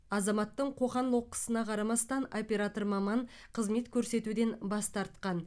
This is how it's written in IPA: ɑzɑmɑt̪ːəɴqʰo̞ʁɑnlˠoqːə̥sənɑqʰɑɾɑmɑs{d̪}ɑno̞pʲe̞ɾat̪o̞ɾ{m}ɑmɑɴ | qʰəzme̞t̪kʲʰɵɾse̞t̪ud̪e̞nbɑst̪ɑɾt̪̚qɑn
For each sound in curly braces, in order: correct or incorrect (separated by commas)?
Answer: incorrect, correct